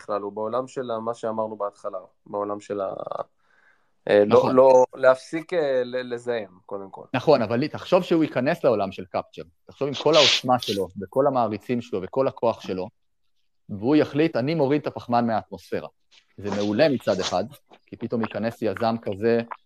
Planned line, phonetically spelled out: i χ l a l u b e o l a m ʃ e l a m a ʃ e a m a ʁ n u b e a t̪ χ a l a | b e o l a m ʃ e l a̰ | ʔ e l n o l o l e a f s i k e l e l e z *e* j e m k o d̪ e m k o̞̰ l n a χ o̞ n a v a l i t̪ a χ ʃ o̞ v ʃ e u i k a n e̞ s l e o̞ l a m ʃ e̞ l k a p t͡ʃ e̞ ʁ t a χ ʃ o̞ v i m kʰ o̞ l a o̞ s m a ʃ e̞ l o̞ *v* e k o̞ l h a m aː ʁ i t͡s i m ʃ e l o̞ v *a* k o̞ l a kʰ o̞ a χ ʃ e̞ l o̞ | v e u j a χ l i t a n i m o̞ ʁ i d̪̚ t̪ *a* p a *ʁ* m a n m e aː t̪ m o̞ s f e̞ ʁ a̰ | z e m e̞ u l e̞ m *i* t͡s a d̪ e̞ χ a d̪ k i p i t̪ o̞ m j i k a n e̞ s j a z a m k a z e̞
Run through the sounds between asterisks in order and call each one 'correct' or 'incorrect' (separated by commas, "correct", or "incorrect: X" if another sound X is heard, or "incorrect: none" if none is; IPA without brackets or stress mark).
incorrect: a, correct, incorrect: e, correct, incorrect: χ, correct